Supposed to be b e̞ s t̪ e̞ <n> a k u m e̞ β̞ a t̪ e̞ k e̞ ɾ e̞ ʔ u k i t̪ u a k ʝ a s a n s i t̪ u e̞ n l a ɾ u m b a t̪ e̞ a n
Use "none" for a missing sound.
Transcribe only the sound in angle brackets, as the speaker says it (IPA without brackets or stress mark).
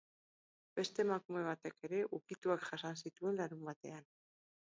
m